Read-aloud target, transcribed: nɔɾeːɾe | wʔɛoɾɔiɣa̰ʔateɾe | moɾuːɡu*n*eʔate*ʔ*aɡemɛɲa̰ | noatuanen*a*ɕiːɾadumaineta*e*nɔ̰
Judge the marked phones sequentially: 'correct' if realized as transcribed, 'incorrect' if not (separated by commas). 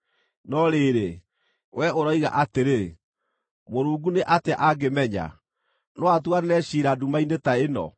correct, correct, incorrect, correct